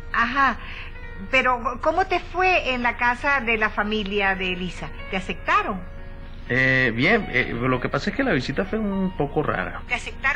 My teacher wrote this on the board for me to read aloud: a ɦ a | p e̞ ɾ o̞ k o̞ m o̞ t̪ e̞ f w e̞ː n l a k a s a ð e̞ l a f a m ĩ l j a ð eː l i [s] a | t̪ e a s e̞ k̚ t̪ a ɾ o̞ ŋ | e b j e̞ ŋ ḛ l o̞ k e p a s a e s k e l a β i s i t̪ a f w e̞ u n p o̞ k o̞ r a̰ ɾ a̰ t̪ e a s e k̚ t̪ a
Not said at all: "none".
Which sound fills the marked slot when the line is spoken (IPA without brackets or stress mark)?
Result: s